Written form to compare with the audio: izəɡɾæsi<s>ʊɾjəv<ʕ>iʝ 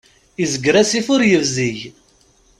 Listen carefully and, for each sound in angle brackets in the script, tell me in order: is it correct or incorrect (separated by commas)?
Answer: incorrect, incorrect